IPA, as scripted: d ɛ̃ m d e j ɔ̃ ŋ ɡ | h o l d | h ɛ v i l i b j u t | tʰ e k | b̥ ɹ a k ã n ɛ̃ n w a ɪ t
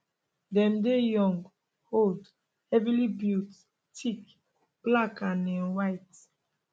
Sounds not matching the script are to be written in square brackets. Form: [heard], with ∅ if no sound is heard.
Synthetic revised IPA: d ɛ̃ m d e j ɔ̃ ŋ ɡ | h o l d | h ɛ v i l i b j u t | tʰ [i] k | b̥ [l] a k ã n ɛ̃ n w a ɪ t